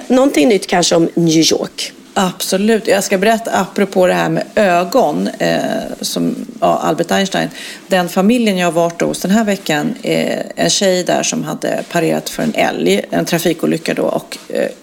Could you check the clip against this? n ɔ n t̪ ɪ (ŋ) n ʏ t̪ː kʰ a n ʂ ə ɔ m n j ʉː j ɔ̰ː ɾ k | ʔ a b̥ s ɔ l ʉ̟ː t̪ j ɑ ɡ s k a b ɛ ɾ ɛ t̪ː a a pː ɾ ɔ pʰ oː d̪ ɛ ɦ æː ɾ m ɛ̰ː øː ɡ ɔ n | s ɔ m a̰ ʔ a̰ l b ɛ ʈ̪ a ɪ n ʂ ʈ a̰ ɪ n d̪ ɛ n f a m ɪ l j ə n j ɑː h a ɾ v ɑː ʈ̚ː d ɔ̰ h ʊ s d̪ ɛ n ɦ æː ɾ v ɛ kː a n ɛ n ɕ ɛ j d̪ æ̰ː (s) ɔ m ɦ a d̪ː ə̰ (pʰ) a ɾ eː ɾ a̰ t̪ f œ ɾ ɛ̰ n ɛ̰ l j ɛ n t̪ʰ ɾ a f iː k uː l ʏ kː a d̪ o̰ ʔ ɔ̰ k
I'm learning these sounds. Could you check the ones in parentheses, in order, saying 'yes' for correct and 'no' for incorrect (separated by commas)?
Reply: yes, no, yes